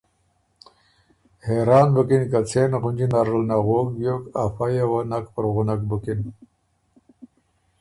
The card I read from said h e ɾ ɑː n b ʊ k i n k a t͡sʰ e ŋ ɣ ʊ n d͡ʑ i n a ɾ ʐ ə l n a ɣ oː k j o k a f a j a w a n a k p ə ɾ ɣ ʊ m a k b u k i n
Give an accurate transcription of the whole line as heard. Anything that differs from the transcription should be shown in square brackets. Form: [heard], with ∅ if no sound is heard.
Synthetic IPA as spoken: h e ɾ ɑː n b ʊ k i n k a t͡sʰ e [n] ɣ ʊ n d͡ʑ i n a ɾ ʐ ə l n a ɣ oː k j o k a f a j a w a n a k p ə ɾ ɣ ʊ [n] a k b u k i n